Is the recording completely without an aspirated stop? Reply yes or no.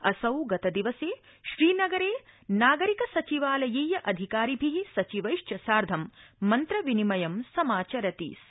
yes